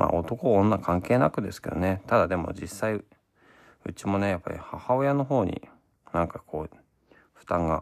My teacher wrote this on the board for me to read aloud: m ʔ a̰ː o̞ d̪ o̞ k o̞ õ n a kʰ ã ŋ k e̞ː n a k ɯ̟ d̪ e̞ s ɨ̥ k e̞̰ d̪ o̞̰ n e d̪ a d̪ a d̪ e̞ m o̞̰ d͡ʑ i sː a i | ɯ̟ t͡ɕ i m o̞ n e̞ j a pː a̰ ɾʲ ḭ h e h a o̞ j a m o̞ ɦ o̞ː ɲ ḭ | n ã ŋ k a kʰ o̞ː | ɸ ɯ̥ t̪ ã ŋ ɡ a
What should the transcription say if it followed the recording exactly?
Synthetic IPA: m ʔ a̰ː o̞ t̪ o̞ k o̞ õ nː a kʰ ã ŋ k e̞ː n a k ɯ̟ d̪ e̞ s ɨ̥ k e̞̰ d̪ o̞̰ n e t̪ a d̪ a d̪ e̞ m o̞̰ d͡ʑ i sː a i | ɯ̟ t͡ɕ i m o̞ n e̞ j a pː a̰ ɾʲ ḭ h a h a o̞ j a n o̞ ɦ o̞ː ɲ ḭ | n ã ŋ k a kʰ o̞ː | ɸ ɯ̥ t̪ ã ŋ ɡ a